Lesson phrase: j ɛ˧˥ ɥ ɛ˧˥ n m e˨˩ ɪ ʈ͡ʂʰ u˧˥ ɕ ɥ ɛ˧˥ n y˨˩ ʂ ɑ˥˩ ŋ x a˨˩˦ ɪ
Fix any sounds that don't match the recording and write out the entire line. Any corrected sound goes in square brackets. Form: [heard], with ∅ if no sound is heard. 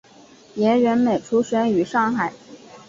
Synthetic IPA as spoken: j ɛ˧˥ ɥ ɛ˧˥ n m e˨˩ ɪ ʈ͡ʂʰ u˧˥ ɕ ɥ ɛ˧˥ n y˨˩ ʂ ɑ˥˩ ŋ x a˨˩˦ ɪ